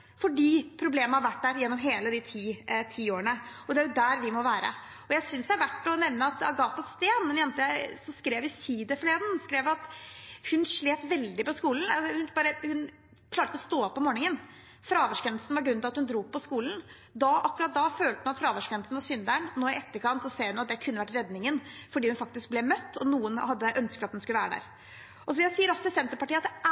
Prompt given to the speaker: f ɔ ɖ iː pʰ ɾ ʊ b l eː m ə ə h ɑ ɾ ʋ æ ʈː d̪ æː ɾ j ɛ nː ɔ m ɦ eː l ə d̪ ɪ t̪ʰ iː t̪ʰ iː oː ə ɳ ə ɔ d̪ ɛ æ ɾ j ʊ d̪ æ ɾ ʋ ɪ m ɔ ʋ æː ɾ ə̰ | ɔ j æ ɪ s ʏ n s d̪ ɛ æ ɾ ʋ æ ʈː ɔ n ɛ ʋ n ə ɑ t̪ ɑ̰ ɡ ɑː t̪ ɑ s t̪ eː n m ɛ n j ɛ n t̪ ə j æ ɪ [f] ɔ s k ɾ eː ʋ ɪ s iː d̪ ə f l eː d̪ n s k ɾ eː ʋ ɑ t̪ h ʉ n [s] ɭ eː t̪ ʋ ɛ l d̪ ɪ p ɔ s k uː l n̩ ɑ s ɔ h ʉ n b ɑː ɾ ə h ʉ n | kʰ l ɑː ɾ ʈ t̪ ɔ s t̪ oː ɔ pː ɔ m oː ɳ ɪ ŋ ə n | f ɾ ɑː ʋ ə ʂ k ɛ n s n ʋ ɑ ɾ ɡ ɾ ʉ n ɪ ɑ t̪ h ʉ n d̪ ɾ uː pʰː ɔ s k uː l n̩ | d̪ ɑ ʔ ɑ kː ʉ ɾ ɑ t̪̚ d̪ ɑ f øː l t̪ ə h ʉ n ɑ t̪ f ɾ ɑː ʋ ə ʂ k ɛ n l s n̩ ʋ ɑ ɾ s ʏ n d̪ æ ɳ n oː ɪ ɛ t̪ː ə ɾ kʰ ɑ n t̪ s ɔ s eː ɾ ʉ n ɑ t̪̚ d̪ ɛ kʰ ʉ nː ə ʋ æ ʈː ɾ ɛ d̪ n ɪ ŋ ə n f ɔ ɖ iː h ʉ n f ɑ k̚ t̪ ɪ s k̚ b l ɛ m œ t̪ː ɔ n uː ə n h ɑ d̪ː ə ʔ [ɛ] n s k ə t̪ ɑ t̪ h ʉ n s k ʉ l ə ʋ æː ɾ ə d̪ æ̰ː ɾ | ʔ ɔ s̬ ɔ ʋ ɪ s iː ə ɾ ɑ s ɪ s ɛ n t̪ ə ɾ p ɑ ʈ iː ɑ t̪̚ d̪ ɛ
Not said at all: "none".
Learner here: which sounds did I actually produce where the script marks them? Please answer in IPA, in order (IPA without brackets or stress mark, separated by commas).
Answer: s, ʂ, œ